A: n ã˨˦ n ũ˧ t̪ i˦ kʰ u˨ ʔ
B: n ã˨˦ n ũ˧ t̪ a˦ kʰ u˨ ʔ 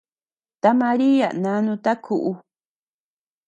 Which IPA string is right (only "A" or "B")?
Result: B